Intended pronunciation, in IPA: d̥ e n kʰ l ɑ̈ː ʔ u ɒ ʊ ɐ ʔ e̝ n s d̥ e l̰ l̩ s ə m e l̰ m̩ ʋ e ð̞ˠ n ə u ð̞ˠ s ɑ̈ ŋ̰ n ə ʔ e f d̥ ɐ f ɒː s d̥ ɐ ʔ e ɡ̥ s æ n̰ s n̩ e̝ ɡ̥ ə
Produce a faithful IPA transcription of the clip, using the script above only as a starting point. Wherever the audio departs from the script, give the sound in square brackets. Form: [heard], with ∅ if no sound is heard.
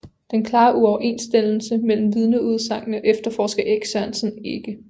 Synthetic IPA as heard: d̥ e n kʰ l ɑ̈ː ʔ u ɒ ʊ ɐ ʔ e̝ n s d̥ e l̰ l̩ s ə m e l̰ m̩ ʋ [i] ð̞ˠ n ə u ð̞ˠ s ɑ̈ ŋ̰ n ə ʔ e f d̥ ɐ f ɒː s [ɡ̥] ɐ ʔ e ɡ̥ s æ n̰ s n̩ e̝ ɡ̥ ə